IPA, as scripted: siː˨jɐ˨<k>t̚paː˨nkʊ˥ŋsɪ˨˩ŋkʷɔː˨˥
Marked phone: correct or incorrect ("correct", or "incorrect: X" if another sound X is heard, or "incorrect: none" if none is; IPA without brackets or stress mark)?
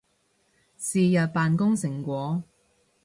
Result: incorrect: none